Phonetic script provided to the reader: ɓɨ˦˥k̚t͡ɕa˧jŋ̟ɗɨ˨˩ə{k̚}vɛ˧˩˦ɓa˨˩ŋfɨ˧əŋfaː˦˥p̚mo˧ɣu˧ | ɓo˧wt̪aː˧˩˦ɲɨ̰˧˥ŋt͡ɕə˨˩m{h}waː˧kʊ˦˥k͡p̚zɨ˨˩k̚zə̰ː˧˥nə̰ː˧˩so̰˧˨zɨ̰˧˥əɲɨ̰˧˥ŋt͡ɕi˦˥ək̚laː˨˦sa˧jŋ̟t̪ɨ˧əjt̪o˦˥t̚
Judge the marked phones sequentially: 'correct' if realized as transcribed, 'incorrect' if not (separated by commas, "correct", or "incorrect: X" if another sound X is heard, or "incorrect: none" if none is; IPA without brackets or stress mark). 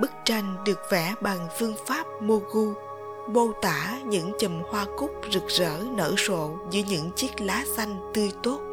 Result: correct, correct